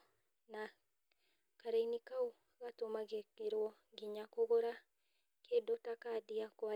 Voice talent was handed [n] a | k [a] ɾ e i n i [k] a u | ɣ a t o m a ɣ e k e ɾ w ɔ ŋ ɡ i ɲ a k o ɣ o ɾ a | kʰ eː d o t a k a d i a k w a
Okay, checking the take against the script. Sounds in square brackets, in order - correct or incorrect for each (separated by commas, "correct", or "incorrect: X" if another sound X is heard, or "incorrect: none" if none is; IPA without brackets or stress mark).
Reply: correct, correct, correct